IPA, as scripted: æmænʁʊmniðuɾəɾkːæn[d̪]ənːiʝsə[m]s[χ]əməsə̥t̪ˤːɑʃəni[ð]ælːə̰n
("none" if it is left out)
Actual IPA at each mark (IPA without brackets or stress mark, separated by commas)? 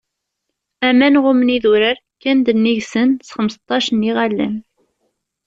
d̪, n, χ, ʁ